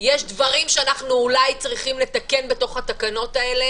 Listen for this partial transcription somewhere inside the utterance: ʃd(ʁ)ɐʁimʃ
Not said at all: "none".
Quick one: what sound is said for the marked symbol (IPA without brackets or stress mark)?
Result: v